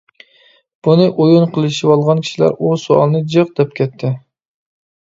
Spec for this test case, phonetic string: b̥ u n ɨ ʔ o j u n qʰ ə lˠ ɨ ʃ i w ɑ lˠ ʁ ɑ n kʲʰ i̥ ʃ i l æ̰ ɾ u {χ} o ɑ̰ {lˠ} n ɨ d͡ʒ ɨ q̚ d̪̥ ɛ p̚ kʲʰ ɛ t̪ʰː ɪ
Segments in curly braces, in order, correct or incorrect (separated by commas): incorrect, correct